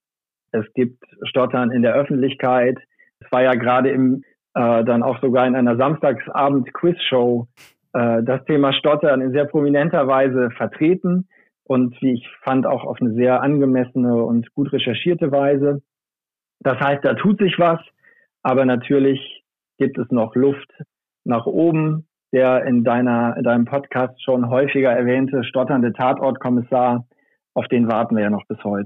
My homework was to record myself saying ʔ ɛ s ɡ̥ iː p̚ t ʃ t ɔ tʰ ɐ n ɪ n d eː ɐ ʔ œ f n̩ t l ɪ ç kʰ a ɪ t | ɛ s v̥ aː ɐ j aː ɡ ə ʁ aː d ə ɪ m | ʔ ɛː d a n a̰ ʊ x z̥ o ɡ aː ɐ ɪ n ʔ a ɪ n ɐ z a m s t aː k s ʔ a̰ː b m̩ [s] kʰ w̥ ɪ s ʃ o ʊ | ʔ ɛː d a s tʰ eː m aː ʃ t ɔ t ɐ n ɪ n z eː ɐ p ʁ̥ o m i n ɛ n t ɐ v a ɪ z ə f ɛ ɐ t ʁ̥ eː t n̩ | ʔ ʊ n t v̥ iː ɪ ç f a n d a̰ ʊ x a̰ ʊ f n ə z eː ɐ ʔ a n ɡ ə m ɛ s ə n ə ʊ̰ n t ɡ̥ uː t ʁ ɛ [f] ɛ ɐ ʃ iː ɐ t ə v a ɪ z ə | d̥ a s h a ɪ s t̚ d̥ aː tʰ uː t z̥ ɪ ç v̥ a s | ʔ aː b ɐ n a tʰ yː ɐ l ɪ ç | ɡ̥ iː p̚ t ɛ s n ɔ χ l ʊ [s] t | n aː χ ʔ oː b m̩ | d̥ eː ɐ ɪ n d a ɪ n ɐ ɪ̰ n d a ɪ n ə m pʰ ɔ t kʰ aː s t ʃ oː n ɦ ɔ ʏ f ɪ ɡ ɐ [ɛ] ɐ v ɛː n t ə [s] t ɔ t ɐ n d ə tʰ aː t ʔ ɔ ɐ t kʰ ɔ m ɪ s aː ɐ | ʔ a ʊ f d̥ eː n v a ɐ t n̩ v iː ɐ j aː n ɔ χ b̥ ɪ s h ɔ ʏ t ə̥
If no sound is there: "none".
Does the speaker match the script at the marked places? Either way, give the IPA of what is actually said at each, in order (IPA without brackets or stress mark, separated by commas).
t, ʃ, f, ɛ, ʃ